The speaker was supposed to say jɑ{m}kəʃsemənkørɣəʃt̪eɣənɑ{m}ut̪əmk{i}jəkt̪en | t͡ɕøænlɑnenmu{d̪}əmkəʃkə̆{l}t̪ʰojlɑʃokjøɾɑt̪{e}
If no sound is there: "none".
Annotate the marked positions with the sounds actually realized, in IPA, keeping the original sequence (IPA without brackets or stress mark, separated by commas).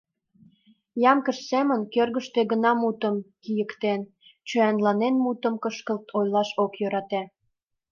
m, m, i, t̪, l, æ